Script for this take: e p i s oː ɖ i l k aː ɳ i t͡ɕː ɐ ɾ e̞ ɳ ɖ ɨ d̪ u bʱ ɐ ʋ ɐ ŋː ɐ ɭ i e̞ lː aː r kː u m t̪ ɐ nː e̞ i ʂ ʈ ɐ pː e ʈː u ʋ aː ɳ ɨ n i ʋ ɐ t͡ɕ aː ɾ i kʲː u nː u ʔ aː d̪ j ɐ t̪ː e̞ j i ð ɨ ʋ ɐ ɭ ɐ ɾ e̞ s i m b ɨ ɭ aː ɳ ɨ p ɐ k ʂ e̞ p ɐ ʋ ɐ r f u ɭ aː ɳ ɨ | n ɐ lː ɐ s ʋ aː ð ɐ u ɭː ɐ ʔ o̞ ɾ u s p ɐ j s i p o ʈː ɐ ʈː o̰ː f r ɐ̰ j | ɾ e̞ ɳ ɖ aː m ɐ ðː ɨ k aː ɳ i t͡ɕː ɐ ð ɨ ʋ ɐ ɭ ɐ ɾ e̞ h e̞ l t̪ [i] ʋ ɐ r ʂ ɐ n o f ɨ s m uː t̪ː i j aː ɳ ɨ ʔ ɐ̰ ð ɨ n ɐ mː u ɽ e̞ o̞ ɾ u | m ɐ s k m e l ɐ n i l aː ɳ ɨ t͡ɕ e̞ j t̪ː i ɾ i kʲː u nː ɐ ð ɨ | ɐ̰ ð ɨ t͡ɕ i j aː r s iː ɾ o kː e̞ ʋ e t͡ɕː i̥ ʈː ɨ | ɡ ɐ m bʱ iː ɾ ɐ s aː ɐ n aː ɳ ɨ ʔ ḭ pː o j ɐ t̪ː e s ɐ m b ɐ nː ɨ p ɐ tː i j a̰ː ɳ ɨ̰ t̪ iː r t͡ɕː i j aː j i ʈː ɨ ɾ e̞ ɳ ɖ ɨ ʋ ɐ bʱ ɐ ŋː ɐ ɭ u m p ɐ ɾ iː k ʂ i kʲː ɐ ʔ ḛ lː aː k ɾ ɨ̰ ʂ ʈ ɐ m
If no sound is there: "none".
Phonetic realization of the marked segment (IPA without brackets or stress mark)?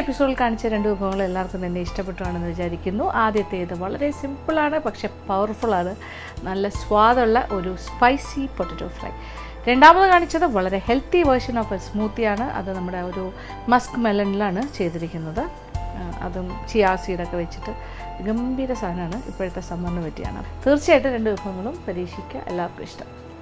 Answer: i